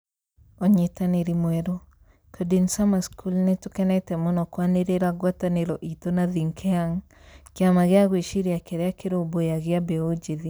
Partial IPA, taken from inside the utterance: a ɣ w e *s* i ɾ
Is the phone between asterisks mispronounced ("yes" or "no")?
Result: yes